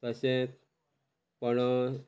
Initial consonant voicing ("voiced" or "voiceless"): voiceless